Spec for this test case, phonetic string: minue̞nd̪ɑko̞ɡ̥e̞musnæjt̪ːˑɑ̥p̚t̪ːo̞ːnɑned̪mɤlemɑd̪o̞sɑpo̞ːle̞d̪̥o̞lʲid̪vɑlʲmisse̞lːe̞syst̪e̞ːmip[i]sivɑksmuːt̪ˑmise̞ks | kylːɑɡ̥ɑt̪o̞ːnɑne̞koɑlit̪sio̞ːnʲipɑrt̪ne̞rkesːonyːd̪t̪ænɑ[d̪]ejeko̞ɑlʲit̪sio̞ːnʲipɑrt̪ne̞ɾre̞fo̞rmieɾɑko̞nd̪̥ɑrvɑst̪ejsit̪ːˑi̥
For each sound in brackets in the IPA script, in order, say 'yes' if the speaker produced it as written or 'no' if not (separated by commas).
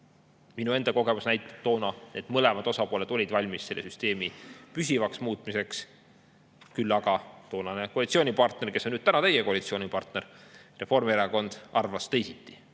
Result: no, no